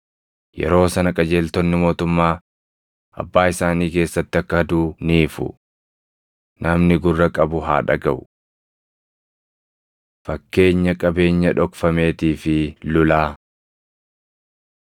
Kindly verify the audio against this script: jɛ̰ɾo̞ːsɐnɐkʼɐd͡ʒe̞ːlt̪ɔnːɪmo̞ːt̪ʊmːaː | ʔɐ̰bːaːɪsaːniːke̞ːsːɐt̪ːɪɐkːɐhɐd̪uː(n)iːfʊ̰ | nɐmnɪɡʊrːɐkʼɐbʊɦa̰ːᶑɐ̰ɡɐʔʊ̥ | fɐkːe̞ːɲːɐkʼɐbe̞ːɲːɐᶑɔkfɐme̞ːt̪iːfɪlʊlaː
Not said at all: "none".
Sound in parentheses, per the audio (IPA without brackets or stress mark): n